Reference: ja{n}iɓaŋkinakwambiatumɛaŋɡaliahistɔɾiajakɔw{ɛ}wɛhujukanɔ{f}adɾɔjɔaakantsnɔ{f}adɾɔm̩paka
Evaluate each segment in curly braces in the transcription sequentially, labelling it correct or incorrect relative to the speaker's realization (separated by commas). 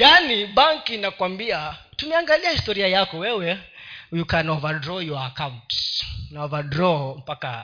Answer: correct, correct, incorrect, incorrect